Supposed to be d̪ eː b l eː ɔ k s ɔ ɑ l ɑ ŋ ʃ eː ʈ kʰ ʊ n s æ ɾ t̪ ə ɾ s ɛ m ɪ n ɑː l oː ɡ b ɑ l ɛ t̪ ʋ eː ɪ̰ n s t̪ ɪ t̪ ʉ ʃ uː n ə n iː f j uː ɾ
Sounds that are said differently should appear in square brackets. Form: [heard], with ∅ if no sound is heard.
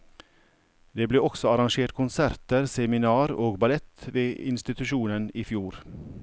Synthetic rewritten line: d̪ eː b l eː ɔ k s ɔ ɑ [ɾ] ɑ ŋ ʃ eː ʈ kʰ ʊ n s æ ɾ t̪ ə ɾ s ɛ m ɪ n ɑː [ɾ] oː ɡ b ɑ l ɛ t̪ ʋ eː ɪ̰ n s t̪ ɪ t̪ ʉ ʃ uː n ə n iː f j uː ɾ